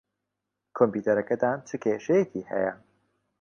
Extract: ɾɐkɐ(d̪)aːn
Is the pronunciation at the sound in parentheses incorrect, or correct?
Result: correct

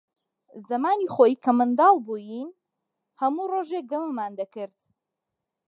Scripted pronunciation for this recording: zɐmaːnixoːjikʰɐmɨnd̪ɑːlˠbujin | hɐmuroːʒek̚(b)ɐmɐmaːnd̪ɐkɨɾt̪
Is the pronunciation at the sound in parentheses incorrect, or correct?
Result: incorrect: ɡ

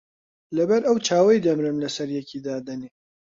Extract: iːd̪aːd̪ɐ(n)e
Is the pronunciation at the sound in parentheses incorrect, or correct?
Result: correct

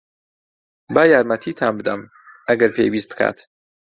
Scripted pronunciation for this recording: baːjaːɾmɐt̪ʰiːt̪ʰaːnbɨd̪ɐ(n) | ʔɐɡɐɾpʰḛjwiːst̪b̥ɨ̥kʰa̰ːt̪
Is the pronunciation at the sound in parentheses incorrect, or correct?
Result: incorrect: m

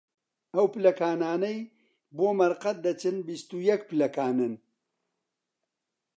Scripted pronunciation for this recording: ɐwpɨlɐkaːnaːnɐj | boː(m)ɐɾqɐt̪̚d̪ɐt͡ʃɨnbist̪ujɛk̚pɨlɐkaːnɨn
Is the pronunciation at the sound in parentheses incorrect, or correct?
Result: correct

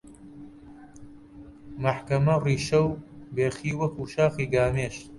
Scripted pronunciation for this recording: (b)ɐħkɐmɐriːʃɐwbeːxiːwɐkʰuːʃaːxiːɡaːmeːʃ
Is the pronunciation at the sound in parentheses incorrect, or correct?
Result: incorrect: m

